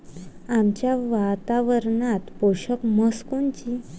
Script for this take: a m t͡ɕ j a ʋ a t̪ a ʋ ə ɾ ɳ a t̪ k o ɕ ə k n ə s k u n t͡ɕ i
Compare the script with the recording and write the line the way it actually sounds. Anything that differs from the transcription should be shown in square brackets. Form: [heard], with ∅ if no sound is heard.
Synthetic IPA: a m t͡ɕ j a ʋ a t̪ a ʋ ə ɾ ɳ a t̪ [p] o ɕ ə k [m] ə s k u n t͡ɕ i